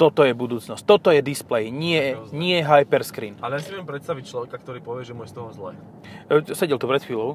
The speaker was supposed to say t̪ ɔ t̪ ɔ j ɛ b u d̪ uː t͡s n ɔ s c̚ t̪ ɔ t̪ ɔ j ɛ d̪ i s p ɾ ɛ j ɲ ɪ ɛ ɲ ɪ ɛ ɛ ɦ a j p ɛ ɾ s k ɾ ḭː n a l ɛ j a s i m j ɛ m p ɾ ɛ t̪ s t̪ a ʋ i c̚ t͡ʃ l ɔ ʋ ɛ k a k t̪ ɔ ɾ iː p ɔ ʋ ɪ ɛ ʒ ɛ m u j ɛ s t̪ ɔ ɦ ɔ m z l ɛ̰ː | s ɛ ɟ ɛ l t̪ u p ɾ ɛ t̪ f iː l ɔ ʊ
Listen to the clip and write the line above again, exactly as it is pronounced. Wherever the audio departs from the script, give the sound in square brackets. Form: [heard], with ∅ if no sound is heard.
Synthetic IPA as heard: t̪ ɔ t̪ ɔ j ɛ b u d̪ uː t͡s n ɔ s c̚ t̪ ɔ t̪ ɔ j ɛ d̪ i s p [l] ɛ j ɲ ɪ ɛ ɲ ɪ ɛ ɛ ɦ a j p ɛ ɾ s k ɾ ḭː n a l ɛ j a s i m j ɛ m p ɾ ɛ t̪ s t̪ a ʋ i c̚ t͡ʃ l ɔ ʋ ɛ k a k t̪ ɔ ɾ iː p ɔ ʋ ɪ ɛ ʒ ɛ m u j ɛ s t̪ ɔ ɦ ɔ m z l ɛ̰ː | s ɛ ɟ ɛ l t̪ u p ɾ ɛ t̪ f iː l ɔ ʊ